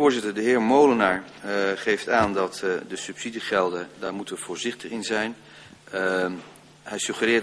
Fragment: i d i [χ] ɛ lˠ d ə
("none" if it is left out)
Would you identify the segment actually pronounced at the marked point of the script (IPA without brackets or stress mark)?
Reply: χ